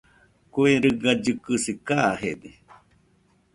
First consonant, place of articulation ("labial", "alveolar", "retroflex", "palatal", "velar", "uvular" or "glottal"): velar